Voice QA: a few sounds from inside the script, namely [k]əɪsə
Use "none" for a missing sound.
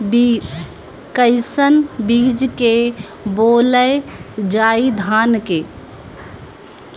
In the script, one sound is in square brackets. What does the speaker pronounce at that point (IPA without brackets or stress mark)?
k